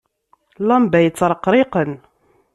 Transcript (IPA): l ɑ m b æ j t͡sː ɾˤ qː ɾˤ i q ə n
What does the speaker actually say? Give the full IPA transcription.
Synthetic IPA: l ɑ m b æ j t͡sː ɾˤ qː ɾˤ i q ə n